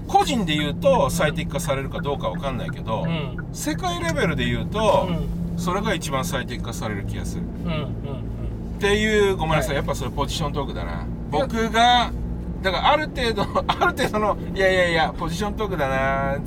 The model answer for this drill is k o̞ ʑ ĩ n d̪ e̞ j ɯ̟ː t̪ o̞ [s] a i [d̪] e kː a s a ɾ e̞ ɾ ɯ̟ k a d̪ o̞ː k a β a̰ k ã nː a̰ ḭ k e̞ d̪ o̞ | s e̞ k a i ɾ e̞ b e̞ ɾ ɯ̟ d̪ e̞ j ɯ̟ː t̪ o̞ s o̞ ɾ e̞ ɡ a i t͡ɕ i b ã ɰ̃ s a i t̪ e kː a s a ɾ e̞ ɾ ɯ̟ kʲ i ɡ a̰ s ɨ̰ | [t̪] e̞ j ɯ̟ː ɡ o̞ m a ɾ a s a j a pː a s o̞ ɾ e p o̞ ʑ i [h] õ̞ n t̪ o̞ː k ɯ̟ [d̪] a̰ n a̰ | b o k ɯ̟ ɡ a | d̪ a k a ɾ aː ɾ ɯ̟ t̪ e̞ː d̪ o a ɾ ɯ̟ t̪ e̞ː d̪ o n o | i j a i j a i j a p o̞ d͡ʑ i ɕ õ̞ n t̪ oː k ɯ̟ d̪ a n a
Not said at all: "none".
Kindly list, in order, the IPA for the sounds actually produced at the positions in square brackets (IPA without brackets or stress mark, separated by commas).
s, t̪, t̪, ɕ, d̪